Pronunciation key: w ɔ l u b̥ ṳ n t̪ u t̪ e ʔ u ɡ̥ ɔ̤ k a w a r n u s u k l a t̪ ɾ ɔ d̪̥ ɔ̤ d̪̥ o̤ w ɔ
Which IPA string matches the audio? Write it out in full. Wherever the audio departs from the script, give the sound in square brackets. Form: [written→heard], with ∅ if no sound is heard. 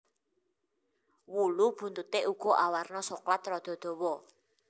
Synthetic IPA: w [ɔ→u] l u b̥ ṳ n t̪ u t̪ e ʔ u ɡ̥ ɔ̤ [k→ʔ] a w a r n [u→ɔ] s [u→o] k l a t̪ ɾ ɔ d̪̥ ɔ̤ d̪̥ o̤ w ɔ